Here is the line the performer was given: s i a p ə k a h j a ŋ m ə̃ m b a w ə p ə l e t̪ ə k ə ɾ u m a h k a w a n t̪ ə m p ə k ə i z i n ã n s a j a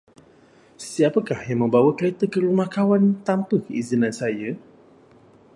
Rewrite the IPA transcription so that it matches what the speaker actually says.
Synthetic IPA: s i a p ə k a h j a ŋ m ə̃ m b a w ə k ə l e t̪ ə k ə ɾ u m a h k a w a n t̪ a m p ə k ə i z i n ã n s a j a